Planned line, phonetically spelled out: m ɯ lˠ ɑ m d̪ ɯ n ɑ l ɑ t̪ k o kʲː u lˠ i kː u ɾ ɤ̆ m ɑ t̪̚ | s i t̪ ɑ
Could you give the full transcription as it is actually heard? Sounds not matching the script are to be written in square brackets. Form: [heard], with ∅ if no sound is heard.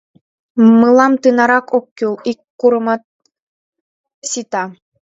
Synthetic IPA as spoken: m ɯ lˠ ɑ m [t̪] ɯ n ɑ [ɾ] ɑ [∅] k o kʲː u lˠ i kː u ɾ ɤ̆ m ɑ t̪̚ | s i t̪ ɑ